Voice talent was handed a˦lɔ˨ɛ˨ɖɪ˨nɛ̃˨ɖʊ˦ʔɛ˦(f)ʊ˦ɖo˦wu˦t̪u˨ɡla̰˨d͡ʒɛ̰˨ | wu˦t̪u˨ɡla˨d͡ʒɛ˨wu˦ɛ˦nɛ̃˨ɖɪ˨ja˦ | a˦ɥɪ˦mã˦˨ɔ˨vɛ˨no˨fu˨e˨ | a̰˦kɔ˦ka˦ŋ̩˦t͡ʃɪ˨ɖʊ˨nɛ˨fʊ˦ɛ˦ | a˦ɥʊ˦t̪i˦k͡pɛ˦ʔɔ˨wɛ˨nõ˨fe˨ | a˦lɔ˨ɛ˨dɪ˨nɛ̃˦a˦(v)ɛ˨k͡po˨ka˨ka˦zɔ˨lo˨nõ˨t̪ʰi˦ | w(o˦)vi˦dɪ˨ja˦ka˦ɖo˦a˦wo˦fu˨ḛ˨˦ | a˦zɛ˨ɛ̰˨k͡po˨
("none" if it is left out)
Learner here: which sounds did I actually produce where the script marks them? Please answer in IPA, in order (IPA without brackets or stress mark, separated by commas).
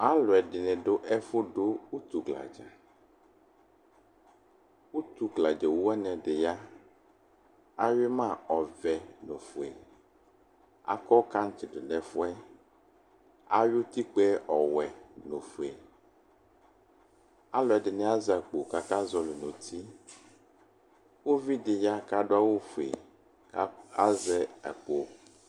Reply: f, z, o˦